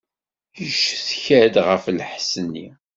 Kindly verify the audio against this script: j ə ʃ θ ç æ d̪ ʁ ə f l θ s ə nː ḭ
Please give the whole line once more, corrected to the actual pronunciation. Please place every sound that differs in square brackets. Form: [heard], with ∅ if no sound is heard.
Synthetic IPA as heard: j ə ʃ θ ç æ d̪ ʁ ə f l [ħ] s ə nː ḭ